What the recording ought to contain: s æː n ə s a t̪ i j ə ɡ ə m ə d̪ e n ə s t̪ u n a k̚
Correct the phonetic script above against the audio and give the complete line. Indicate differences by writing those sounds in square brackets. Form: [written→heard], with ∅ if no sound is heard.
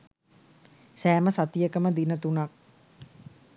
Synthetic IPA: s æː [n→m] ə s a t̪ i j ə [ɡ→k] ə m ə d̪ [e→i] n ə [s→∅] t̪ u n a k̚